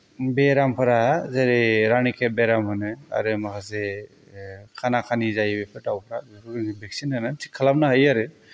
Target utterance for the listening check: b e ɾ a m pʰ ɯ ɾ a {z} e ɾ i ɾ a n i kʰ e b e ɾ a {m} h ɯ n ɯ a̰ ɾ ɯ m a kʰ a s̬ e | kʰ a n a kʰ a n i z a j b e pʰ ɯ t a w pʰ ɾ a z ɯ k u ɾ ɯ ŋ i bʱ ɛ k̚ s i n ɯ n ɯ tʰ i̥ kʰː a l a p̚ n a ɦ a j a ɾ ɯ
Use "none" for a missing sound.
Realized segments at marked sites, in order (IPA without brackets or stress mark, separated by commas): z, m